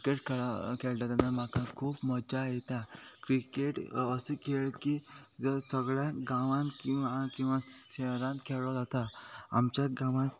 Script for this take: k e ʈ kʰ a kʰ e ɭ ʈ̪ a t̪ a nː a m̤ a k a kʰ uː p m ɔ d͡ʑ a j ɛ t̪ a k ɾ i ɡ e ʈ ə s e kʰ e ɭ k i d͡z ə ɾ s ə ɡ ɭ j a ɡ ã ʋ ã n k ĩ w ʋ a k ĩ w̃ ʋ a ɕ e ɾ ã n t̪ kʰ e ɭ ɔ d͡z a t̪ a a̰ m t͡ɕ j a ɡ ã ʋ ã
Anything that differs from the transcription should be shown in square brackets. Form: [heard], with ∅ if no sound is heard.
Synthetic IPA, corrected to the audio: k e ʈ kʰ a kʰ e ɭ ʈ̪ a t̪ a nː a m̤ a k a kʰ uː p m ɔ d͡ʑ a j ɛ t̪ a k ɾ i [k] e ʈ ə s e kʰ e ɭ k i d͡z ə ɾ s ə ɡ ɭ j a ɡ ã ʋ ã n k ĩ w ʋ a k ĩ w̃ ʋ a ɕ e ɾ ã n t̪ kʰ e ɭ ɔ d͡z a t̪ a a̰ m t͡ɕ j a ɡ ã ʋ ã